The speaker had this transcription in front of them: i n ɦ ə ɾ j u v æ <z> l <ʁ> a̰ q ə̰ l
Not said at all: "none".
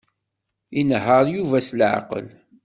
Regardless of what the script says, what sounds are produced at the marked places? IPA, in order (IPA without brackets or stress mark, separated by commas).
s, ʕ